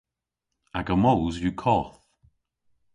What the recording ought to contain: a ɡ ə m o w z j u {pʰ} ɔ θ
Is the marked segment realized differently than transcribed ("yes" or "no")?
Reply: yes